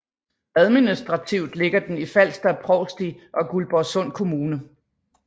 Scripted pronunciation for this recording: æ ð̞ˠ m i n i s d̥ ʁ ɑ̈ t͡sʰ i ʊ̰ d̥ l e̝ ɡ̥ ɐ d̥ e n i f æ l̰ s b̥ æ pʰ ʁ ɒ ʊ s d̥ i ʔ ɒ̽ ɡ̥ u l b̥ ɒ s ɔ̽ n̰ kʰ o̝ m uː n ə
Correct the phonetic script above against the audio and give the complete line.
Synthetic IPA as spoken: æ ð̞ˠ m i n i s d̥ ʁ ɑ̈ t͡sʰ i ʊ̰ d̥ l e̝ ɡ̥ ɐ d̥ e n i f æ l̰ s d̥ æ pʰ ʁ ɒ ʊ s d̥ i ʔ ɒ̽ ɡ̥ u l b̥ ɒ s ɔ̽ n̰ kʰ o̝ m uː n ə